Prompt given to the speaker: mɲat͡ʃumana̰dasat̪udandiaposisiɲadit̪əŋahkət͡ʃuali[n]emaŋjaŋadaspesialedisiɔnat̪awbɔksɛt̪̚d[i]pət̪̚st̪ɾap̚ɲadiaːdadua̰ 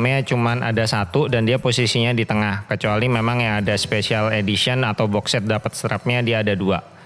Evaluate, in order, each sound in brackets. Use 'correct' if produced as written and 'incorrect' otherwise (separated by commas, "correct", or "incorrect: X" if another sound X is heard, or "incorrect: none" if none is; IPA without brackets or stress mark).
incorrect: m, incorrect: a